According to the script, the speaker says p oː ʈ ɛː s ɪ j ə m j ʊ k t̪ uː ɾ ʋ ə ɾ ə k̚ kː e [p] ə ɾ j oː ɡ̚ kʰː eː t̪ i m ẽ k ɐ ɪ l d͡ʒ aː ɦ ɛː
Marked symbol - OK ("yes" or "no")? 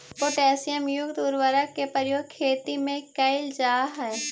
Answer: yes